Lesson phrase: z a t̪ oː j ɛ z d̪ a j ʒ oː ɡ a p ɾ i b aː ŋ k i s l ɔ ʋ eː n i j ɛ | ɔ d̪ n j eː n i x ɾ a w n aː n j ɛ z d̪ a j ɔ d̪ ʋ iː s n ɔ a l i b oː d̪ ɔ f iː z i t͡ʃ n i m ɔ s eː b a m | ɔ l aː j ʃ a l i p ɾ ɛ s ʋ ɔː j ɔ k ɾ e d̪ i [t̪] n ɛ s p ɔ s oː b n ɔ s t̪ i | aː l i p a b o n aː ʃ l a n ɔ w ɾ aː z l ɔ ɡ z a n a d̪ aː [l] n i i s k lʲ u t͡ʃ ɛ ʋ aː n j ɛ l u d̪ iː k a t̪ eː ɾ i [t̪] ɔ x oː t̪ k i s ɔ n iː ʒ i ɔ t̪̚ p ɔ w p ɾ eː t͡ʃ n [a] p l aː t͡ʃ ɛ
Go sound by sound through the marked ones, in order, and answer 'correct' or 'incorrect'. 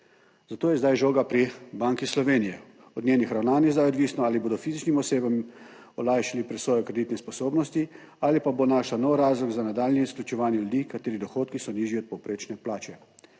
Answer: correct, correct, incorrect, incorrect

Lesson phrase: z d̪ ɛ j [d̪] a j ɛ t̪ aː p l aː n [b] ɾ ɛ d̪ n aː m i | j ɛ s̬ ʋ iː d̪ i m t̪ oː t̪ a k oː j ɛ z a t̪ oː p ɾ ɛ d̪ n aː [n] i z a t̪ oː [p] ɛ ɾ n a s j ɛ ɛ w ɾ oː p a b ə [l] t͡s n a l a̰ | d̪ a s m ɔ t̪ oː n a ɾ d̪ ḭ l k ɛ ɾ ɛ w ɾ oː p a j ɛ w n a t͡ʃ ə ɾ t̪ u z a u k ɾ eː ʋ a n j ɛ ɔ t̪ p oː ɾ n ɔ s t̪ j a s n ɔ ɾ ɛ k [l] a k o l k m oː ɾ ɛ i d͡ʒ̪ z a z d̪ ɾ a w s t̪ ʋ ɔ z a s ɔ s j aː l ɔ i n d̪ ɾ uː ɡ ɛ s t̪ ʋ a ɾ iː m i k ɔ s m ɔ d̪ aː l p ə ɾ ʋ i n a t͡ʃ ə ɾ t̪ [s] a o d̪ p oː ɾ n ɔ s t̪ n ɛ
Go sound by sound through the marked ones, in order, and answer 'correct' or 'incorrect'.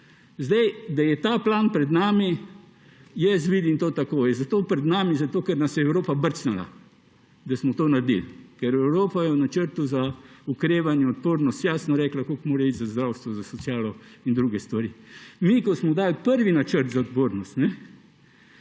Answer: correct, incorrect, incorrect, incorrect, incorrect, correct, incorrect

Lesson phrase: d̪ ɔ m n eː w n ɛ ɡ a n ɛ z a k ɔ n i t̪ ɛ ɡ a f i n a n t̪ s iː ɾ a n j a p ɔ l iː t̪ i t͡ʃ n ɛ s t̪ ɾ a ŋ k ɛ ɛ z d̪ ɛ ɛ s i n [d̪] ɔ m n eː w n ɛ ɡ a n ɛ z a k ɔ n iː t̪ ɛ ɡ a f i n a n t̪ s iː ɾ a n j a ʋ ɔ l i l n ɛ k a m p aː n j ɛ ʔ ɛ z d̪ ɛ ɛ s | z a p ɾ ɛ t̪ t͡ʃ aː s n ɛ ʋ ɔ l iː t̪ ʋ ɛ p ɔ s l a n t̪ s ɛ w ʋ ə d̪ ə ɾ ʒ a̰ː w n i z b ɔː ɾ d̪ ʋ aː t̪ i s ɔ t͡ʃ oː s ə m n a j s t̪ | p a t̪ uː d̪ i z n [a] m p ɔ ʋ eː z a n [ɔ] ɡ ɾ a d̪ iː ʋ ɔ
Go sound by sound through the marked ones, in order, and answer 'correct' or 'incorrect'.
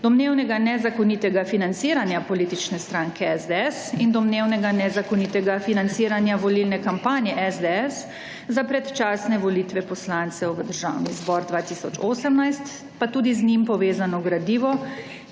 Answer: correct, incorrect, correct

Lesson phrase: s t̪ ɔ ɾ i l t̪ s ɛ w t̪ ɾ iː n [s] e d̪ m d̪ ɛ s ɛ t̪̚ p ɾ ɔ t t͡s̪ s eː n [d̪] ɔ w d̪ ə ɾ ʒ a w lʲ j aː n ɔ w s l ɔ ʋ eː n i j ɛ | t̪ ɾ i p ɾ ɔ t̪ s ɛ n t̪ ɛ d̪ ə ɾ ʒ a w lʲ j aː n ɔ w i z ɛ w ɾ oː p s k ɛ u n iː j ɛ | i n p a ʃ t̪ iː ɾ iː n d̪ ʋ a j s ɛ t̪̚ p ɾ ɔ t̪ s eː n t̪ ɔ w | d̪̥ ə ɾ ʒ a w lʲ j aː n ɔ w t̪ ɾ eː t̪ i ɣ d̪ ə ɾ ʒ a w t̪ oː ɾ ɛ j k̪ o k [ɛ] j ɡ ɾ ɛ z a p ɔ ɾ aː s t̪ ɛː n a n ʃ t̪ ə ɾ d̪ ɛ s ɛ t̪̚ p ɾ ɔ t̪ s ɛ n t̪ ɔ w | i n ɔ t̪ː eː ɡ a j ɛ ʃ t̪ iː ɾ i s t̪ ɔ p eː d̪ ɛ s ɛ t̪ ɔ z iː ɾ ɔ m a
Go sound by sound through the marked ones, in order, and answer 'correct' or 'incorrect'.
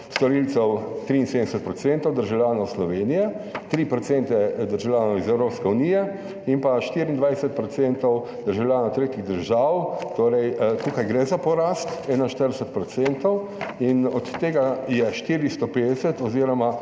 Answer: correct, incorrect, incorrect

